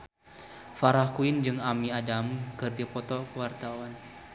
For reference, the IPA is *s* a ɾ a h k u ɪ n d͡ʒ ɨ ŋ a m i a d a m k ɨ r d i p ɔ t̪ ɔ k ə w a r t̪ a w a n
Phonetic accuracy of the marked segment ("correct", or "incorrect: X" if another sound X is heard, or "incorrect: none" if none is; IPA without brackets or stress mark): incorrect: f